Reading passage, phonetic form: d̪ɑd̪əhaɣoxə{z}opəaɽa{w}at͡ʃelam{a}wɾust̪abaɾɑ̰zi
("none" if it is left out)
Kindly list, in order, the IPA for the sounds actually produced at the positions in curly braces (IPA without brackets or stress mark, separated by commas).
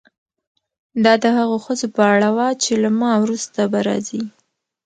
z, w, ɑ